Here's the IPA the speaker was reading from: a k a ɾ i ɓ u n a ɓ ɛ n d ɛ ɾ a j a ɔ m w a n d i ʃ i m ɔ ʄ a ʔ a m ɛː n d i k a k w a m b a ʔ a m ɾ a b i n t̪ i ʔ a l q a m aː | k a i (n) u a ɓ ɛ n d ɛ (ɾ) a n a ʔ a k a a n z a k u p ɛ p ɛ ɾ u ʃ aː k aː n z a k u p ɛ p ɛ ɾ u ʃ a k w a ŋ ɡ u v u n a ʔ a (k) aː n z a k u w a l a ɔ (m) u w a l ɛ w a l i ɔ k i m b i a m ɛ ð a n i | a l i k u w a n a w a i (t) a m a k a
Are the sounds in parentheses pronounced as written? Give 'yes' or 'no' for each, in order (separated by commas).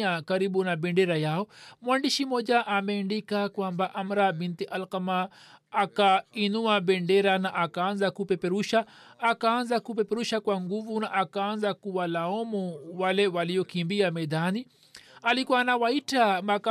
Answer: yes, yes, yes, yes, yes